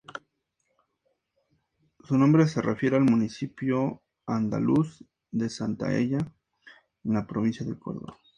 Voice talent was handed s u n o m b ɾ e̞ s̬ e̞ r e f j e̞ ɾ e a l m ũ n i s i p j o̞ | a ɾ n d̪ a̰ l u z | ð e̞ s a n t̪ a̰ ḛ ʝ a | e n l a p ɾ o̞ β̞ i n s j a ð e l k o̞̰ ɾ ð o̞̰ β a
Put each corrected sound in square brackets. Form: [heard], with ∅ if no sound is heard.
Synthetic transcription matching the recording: s u n o m b ɾ e̞ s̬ e̞ r e f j e̞ ɾ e a l m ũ n i s i p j o̞ | a [∅] n d̪ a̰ l u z | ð e̞ s a n t̪ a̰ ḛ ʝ a | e n l a p ɾ o̞ β̞ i n s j a ð e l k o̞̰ ɾ ð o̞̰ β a